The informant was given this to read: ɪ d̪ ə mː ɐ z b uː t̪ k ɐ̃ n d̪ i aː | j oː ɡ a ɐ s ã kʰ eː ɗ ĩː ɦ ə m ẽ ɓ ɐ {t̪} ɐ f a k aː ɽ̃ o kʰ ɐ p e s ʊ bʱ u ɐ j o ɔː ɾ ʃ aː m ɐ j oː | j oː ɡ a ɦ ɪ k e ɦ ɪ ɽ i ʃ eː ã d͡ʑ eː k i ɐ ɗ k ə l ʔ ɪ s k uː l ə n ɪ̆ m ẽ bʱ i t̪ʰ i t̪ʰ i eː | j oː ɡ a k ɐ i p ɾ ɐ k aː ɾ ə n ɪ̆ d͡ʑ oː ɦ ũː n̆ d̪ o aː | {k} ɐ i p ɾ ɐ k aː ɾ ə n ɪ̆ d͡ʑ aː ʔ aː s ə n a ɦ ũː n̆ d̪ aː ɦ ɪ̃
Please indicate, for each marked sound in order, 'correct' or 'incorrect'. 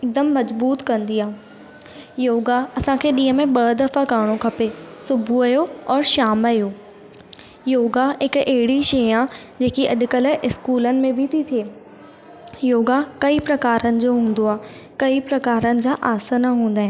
incorrect: d̪, correct

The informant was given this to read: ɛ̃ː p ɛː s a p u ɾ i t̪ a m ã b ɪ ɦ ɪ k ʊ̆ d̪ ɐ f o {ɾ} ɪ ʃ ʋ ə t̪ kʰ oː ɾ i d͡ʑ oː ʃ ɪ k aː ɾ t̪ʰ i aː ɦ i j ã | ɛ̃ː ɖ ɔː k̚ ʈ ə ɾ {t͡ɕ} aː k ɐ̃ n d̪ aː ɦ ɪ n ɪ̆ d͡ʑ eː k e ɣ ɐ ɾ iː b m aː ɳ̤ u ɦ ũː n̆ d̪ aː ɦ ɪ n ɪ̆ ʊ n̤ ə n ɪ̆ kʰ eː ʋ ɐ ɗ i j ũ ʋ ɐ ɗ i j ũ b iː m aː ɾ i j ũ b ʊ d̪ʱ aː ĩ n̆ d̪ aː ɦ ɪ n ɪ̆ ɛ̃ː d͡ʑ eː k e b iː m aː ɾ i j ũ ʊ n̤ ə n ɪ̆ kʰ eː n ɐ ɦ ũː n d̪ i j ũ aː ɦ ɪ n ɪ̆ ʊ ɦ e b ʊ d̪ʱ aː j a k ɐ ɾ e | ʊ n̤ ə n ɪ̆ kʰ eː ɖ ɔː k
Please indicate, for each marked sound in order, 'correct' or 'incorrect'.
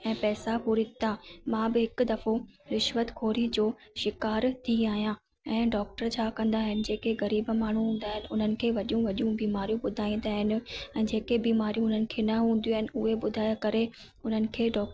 correct, incorrect: t͡ɕʰ

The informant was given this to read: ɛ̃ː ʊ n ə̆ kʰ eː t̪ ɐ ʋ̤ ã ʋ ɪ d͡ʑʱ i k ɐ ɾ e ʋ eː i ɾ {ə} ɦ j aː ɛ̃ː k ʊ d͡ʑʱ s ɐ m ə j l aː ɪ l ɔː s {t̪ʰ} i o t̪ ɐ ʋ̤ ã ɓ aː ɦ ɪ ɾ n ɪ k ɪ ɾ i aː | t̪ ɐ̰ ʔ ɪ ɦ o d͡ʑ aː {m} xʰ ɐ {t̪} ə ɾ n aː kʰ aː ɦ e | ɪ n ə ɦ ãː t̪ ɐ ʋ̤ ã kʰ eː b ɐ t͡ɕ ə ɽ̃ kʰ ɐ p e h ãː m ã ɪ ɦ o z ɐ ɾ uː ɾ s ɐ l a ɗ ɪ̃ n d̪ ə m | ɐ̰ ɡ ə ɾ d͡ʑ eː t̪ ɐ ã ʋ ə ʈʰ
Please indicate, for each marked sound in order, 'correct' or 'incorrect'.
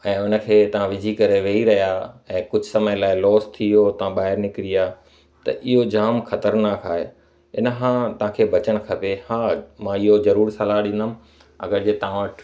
incorrect: ɐ, correct, correct, correct

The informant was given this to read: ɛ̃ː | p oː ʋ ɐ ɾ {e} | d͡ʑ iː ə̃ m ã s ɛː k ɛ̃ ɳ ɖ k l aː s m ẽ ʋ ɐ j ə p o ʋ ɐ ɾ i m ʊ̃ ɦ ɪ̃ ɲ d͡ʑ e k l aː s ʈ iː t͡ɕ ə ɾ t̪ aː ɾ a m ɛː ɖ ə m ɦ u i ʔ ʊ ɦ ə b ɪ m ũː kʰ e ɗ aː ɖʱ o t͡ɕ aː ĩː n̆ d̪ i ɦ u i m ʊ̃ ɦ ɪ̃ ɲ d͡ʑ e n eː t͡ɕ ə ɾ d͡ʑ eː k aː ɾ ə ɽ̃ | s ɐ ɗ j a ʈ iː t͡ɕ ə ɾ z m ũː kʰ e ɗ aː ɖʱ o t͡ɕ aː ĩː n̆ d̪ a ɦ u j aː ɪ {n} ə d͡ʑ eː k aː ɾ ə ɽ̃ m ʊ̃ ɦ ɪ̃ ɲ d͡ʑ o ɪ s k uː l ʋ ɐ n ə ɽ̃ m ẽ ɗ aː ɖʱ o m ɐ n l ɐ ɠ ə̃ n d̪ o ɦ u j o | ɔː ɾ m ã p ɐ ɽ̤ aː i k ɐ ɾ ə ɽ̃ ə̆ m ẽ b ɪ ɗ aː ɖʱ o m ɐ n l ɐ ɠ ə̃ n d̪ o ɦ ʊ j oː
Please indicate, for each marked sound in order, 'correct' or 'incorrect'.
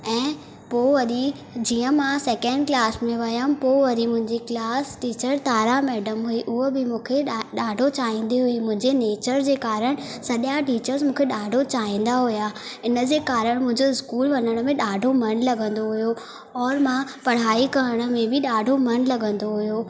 incorrect: i, correct

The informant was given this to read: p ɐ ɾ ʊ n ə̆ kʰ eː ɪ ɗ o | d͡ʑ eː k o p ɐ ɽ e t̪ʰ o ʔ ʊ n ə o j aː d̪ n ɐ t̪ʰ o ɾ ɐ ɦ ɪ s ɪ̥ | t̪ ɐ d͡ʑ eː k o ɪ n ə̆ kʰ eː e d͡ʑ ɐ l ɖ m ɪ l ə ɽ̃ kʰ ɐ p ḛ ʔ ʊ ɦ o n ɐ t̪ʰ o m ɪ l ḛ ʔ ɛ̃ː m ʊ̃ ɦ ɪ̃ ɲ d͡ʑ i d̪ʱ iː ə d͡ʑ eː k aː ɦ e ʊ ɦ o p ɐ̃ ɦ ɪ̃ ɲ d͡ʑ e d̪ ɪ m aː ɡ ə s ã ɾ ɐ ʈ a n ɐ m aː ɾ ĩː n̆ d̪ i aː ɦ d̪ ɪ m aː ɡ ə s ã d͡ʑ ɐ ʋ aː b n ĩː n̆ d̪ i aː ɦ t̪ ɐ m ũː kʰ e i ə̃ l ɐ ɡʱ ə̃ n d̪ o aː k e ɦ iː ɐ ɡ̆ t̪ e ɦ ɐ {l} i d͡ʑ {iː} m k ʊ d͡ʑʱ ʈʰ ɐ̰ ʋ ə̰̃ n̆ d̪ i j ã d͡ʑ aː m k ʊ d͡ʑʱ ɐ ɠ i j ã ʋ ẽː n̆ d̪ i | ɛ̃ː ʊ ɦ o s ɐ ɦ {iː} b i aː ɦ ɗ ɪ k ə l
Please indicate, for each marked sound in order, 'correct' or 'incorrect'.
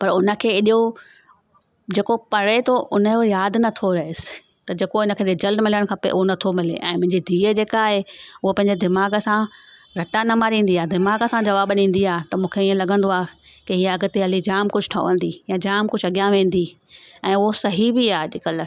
correct, incorrect: aː, incorrect: i

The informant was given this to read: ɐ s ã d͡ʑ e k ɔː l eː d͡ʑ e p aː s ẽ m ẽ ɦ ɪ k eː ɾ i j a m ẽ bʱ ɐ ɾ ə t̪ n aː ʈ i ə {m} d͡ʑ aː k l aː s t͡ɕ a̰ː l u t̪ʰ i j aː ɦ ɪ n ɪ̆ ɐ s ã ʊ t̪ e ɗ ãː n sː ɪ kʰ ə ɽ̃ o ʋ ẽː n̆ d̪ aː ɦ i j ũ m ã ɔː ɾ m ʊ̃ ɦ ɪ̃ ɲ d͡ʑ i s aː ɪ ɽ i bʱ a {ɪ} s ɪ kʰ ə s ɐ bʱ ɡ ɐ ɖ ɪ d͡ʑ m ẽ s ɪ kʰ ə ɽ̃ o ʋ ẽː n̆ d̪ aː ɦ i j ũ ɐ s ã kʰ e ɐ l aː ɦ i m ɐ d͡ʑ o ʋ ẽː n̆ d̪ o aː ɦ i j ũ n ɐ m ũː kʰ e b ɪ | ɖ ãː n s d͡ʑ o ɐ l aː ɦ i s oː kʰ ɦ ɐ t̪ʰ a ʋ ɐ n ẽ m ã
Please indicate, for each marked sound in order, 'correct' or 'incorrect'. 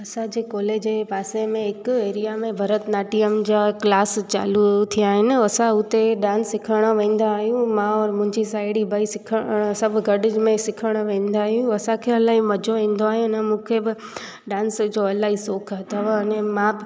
correct, incorrect: i

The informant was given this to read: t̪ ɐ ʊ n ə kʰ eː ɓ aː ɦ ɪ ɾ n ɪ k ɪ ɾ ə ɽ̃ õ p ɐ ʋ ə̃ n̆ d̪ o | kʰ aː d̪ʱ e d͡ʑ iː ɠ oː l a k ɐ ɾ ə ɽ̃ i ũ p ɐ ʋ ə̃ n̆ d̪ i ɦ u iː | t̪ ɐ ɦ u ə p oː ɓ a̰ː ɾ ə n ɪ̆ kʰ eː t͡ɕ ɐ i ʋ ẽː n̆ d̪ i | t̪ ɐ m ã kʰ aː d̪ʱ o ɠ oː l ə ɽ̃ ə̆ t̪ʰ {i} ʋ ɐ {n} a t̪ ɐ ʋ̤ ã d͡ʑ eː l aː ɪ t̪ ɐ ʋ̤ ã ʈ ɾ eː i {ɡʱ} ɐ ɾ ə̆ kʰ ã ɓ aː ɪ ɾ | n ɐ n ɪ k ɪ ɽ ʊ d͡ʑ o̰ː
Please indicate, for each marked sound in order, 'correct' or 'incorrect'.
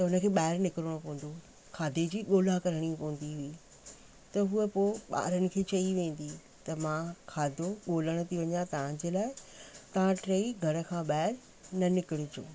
correct, incorrect: ɲ, correct

